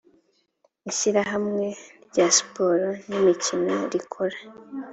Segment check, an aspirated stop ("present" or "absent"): present